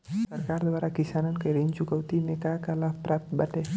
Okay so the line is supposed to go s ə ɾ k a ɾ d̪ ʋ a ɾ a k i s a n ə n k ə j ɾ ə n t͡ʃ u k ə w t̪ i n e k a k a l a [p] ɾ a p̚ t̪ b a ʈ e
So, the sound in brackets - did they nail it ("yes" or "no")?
yes